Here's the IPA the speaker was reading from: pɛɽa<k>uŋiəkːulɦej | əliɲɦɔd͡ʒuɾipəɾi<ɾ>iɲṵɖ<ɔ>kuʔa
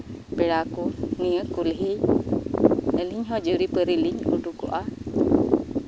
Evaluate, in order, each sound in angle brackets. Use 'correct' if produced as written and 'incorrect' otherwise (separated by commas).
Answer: correct, incorrect, incorrect